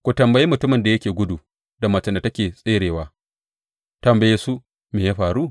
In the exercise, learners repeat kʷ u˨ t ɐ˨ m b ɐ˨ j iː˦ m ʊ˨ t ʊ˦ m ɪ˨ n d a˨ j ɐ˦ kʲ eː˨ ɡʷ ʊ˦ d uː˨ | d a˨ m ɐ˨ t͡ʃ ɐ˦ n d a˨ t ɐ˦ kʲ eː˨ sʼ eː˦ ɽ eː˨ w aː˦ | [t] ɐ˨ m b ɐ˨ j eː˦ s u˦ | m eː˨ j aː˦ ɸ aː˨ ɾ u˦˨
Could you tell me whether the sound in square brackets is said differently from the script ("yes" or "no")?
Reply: no